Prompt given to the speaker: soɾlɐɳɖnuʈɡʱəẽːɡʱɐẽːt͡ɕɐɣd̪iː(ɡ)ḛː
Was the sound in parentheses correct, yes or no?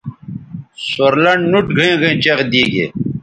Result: yes